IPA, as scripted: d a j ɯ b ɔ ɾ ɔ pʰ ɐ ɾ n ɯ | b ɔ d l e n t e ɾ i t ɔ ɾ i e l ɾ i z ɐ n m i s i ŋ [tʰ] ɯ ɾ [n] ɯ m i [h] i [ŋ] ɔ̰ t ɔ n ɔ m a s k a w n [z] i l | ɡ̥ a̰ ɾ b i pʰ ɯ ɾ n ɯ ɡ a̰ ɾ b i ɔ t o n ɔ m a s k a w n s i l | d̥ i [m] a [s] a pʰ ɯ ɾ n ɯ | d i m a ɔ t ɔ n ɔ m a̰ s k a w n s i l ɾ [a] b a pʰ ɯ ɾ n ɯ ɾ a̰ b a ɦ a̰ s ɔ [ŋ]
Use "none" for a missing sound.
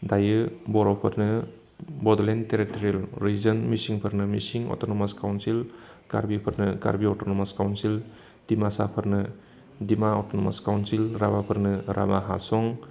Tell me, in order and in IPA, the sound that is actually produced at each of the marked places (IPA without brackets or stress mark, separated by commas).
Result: pʰ, n, s, ŋ, s, m, s, a, ŋ